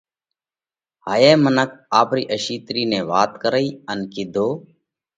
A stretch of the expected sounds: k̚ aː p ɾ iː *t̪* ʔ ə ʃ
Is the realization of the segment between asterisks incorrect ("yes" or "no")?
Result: yes